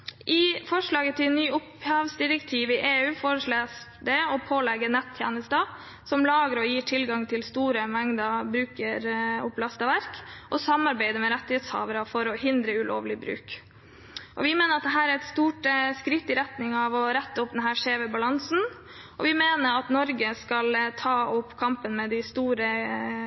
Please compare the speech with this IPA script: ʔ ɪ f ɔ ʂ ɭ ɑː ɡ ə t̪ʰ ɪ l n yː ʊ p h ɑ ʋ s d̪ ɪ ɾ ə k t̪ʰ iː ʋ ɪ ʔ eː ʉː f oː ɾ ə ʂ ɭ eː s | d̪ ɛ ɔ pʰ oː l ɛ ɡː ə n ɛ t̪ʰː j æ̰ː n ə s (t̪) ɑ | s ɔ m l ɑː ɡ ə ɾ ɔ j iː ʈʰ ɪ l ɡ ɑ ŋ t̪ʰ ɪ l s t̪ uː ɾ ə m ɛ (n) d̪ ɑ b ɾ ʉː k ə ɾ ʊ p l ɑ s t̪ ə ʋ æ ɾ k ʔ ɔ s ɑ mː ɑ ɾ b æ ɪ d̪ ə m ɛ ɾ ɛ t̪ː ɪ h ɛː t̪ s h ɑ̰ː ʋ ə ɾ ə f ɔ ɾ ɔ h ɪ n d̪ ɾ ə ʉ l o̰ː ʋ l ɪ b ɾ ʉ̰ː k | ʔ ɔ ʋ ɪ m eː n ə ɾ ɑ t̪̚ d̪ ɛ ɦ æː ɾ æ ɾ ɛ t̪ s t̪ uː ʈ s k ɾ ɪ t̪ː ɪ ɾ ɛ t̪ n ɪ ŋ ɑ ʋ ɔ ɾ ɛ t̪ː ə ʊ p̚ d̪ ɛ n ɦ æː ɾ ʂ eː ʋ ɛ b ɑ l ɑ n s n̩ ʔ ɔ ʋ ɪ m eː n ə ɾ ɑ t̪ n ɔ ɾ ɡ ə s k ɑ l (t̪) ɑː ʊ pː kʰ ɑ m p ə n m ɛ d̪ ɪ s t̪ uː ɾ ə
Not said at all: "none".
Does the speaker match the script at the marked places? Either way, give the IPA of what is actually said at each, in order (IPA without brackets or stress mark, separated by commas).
t̪, ŋ, t̪ʰ